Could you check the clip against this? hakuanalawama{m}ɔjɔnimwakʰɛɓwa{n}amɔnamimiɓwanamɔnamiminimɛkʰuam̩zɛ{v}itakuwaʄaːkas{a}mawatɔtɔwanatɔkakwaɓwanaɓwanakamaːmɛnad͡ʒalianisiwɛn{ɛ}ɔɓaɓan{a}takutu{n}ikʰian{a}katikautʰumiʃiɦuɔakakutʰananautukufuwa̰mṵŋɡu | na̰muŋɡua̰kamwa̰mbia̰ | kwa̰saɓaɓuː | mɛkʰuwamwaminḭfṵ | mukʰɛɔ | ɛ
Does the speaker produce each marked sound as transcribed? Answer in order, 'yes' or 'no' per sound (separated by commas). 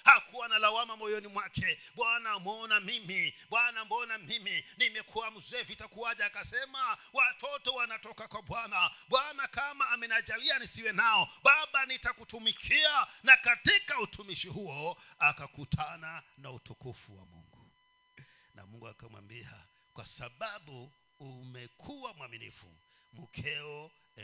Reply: yes, yes, yes, no, no, no, no, yes